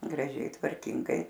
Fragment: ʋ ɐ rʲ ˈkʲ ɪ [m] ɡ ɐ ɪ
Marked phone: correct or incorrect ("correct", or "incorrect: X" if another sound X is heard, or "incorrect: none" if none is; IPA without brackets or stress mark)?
incorrect: ŋ